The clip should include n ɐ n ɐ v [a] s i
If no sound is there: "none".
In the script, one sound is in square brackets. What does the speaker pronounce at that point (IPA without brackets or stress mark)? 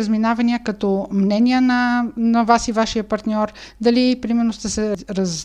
a